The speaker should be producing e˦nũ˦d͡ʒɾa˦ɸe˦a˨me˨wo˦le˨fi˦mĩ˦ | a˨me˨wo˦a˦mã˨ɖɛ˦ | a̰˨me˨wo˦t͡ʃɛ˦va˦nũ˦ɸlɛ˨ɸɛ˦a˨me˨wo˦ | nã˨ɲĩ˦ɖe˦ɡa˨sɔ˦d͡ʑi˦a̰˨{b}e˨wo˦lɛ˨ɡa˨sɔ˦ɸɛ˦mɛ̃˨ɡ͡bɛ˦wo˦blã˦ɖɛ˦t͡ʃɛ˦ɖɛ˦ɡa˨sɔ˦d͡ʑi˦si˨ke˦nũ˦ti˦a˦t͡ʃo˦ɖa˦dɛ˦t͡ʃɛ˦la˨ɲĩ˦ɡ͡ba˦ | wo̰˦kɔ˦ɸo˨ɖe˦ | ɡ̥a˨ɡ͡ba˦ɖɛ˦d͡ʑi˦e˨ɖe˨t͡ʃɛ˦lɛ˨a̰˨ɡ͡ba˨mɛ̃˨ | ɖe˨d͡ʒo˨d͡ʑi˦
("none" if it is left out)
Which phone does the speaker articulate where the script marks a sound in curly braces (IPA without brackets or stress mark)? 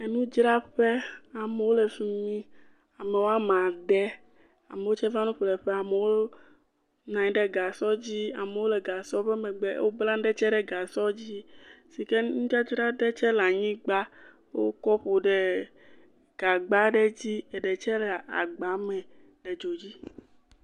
m